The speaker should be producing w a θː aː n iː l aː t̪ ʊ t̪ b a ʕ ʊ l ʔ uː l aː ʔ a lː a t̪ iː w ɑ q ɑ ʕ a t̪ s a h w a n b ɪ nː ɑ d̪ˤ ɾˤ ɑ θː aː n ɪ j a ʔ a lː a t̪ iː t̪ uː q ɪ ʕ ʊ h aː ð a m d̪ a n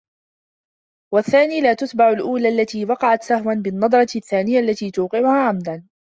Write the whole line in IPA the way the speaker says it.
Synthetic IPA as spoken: w a θː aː n iː l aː t̪ ʊ t̪ b a ʕ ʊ l ʔ uː l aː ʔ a lː a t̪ iː w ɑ q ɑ ʕ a t̪ s a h w a n b ɪ nː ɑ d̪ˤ ɾˤ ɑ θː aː n ɪ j a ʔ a lː a t̪ iː t̪ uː q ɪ ʕ ʊ h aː ʕ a m d̪ a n